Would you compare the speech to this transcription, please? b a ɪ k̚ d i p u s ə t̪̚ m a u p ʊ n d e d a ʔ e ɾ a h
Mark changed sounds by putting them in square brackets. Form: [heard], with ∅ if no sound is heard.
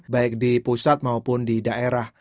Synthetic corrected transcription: b a ɪ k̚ d i p u s [a] t̪̚ m a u p ʊ n d [i] d a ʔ e ɾ a h